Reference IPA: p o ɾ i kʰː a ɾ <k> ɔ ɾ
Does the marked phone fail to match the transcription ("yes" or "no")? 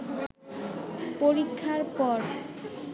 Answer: yes